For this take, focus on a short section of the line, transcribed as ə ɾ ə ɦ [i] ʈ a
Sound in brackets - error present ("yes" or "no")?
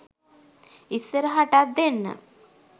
yes